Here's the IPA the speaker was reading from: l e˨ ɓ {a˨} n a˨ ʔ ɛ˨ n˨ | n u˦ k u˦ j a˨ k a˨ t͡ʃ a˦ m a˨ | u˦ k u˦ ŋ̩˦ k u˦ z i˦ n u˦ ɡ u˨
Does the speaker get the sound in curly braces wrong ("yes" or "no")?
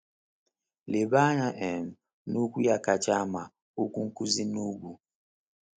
yes